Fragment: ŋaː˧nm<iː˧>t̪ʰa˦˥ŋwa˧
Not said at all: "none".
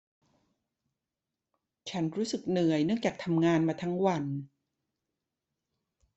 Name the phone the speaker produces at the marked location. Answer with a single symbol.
aː˧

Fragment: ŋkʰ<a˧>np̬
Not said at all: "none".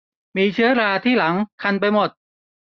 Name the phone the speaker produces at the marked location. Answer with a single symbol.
a˧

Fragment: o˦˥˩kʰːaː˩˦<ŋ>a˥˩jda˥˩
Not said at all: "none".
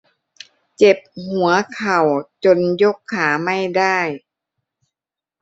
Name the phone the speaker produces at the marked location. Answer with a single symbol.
m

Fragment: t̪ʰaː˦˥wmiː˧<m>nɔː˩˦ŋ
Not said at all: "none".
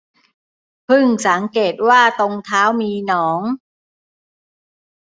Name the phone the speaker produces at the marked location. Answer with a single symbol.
none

